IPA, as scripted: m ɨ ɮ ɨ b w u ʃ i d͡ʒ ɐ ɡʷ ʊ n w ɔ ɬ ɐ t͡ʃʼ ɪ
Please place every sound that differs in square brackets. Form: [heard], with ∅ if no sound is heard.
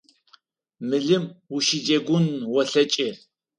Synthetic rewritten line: m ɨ ɮ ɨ [m] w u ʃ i d͡ʒ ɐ ɡʷ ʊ n w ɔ ɬ ɐ t͡ʃʼ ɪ